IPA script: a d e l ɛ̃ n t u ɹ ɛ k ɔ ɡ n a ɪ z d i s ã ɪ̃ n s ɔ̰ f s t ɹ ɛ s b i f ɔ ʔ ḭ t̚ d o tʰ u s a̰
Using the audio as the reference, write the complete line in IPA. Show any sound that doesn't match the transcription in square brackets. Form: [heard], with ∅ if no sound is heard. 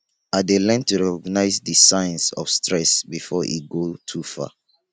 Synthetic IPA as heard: a d e l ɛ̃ n t u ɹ ɛ k ɔ ɡ n a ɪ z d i s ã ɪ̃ n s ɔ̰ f s t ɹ ɛ s b i f ɔ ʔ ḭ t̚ [ɡ] o tʰ u [f] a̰